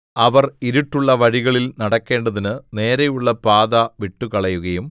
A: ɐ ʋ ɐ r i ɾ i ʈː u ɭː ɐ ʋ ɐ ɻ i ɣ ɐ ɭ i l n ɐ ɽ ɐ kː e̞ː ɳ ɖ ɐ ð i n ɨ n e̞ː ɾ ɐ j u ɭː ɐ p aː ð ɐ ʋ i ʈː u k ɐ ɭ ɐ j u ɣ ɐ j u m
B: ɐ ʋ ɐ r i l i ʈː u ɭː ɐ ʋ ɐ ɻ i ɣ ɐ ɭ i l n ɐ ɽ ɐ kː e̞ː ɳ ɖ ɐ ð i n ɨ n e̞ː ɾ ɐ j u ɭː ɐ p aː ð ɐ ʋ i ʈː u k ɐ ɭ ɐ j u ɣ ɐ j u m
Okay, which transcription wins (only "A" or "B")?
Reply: A